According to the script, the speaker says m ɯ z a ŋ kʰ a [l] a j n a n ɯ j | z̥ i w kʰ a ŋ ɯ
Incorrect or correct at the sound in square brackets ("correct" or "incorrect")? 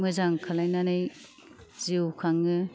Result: correct